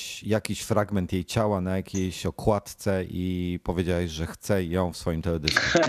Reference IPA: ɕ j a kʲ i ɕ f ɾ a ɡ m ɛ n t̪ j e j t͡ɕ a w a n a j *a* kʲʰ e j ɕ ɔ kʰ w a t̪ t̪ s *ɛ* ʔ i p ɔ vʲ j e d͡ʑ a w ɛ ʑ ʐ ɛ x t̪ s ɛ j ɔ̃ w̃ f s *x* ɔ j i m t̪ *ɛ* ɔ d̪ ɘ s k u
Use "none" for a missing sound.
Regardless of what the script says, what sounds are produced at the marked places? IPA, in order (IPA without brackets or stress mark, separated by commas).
a, ɛ, f, ɛ